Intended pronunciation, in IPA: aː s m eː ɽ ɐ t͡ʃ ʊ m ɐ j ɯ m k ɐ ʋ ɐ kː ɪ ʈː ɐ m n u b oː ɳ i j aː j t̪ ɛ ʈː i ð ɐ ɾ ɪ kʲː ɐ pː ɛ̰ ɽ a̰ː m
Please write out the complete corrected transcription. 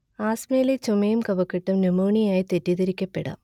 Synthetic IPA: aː s m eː l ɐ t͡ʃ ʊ m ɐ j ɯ m k ɐ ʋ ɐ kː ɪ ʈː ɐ m n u m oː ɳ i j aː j t̪ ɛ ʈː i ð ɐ ɾ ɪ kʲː ɐ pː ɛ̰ ɽ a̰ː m